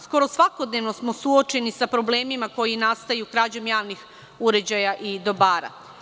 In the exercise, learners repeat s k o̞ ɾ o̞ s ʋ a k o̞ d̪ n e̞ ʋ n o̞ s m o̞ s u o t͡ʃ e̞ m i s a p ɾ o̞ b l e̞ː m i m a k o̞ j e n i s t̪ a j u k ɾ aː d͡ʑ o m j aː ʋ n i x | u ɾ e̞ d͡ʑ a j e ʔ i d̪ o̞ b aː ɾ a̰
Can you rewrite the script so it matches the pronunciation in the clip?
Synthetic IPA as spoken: s k o̞ ɾ o̞ s ʋ a k o̞ d̪ n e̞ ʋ n o̞ s m o̞ s u o t͡ʃ e̞ n i s a p ɾ o̞ b l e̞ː m i m a k o̞ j i n a s t̪ a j u k ɾ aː d͡ʑ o m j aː ʋ n i x | u ɾ e̞ d͡ʑ a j a ʔ i d̪ o̞ b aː ɾ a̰